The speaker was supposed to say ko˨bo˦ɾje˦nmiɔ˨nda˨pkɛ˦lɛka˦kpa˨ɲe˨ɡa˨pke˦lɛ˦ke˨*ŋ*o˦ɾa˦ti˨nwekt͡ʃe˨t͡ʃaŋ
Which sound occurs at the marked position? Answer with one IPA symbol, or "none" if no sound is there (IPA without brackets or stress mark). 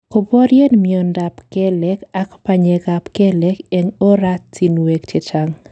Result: ŋ